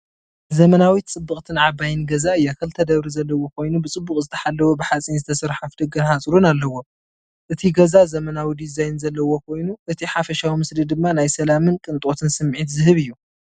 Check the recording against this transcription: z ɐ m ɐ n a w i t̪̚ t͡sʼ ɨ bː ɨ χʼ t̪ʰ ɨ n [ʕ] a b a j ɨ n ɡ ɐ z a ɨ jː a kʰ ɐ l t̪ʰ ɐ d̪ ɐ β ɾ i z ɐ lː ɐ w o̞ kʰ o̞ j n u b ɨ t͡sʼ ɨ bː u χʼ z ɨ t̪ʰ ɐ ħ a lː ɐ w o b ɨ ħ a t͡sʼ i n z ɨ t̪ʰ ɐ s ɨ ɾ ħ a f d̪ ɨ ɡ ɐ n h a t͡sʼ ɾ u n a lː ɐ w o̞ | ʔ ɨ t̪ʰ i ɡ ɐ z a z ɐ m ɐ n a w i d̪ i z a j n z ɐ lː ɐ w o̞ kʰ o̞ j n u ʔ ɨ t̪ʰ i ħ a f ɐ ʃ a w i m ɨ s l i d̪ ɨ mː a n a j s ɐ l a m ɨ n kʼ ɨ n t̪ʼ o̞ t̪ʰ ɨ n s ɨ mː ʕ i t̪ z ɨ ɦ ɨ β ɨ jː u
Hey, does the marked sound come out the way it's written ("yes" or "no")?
yes